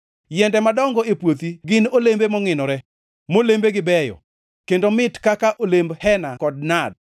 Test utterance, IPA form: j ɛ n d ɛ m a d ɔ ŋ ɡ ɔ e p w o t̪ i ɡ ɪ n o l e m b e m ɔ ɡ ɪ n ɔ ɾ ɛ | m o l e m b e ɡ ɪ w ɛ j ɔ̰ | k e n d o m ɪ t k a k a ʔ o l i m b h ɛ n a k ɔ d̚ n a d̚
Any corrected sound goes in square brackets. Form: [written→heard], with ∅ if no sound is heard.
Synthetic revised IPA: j ɛ n d ɛ m a d ɔ ŋ ɡ ɔ e p w o t̪ i ɡ ɪ n o l e m b e m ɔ [ɡ→ŋ] ɪ n ɔ ɾ ɛ | m o l e m b e ɡ ɪ [w→b] ɛ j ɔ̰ | k e n d o m ɪ t k a k a ʔ o l [i→e] m b h ɛ n a k ɔ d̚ n a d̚